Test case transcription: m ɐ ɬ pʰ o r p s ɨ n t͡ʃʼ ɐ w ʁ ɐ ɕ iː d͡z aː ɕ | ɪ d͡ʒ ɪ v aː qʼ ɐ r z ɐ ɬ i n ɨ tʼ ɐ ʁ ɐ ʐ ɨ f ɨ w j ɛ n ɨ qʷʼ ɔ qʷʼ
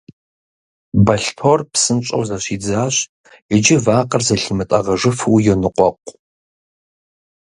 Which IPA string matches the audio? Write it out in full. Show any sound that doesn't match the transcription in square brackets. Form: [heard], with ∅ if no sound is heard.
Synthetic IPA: [b] ɐ ɬ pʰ o r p s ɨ n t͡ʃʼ ɐ w [z] ɐ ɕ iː d͡z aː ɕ | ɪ d͡ʒ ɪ v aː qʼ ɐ r z ɐ ɬ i [m] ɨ tʼ ɐ ʁ ɐ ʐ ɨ f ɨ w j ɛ n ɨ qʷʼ ɔ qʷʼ